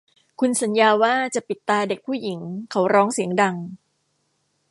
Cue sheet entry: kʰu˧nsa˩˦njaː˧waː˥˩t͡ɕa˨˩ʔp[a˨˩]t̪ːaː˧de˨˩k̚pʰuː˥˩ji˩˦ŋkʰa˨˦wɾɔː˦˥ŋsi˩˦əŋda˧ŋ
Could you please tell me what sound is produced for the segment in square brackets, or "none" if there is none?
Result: i˨˩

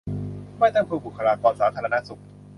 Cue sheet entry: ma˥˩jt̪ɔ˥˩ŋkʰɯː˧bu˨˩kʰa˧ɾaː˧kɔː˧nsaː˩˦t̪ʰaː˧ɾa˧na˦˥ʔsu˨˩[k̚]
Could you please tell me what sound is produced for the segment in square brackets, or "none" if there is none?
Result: k̚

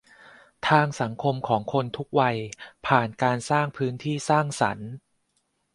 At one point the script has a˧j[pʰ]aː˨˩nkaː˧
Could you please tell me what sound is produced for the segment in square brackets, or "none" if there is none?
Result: pʰ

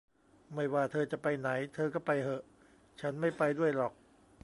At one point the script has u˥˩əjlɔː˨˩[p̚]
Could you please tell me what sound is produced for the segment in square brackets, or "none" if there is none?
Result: k̚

